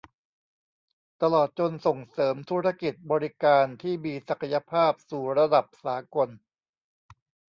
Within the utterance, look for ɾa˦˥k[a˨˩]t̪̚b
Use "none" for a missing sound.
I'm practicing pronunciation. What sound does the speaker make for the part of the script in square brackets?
i˨˩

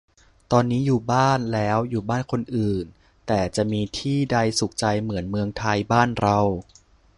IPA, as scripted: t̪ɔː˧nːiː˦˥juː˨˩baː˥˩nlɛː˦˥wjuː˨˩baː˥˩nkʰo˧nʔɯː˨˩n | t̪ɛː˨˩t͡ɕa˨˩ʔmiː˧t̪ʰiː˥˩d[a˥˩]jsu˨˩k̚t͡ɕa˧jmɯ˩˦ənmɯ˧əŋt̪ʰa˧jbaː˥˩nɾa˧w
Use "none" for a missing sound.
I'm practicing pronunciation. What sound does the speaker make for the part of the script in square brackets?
a˧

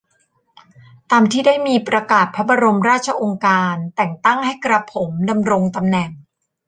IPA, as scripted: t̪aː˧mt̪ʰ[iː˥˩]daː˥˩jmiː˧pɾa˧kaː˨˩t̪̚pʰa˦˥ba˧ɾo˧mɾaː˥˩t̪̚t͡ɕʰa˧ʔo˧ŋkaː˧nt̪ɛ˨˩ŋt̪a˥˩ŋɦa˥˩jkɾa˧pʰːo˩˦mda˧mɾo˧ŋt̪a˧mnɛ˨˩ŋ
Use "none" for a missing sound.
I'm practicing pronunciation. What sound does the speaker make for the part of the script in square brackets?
iː˥˩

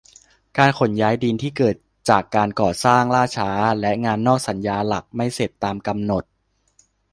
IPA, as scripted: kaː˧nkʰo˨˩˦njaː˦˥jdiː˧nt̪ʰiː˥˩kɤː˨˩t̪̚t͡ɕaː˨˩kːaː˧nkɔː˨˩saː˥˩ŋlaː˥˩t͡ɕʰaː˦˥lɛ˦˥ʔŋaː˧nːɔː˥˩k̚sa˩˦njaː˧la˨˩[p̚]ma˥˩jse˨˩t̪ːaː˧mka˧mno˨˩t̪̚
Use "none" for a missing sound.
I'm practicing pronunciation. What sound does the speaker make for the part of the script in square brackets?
k̚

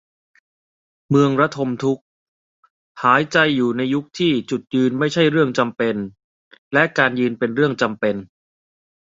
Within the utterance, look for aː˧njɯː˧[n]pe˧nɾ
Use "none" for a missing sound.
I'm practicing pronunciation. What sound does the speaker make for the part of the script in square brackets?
n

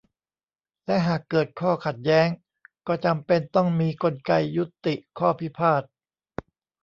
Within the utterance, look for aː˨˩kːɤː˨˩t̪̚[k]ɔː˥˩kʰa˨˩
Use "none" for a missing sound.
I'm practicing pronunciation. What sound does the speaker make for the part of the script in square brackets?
kʰ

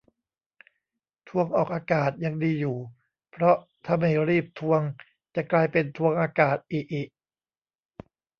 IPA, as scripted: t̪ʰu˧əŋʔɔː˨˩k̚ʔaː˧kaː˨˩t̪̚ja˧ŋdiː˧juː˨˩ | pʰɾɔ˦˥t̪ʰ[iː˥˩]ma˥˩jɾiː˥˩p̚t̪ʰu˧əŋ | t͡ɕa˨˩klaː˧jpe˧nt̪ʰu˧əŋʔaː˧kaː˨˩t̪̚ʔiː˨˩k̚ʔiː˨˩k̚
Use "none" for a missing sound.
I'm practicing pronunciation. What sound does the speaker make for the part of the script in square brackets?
aː˥˩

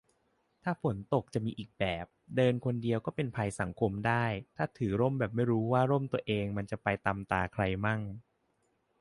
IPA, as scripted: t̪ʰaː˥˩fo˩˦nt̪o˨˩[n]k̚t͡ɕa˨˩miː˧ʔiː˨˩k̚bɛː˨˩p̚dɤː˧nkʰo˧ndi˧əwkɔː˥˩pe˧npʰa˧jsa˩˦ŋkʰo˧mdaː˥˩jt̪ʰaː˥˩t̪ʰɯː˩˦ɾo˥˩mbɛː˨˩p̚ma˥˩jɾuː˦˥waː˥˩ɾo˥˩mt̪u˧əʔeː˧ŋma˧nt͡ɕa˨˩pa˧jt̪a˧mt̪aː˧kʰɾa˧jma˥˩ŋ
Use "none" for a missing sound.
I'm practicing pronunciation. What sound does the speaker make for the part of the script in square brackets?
none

